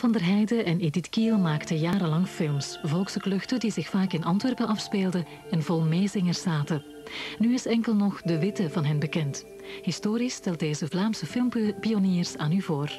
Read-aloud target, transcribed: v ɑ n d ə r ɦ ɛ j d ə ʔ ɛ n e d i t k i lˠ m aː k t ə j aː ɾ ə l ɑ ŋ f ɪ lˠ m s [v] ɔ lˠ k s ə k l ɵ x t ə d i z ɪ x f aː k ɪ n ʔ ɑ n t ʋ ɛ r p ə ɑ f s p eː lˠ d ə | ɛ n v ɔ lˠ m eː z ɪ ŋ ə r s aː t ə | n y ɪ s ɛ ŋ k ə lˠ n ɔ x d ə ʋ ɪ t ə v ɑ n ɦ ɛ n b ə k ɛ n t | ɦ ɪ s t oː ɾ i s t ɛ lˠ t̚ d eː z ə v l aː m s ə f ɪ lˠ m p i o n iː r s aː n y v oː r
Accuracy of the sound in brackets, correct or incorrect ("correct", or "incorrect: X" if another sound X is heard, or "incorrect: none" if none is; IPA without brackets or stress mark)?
correct